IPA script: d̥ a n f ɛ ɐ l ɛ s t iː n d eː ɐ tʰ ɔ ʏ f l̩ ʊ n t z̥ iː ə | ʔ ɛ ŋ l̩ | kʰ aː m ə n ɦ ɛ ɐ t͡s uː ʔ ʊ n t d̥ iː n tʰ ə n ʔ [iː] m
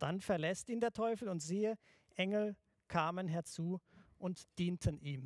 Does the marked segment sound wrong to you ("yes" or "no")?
no